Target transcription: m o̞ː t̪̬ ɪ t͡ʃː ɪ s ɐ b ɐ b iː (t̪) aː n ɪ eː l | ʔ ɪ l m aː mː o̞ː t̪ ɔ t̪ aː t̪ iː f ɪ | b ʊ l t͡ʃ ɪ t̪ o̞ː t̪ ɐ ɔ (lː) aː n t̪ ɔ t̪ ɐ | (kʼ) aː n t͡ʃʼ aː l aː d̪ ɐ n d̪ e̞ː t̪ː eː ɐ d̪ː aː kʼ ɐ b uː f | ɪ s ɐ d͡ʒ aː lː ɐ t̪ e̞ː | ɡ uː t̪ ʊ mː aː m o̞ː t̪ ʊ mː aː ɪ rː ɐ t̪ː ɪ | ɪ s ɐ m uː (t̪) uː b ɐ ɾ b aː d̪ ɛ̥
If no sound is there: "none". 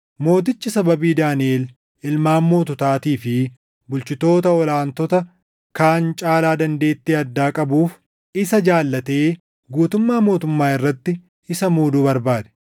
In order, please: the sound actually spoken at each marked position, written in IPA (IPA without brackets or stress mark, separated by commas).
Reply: d̪, l, k, d̪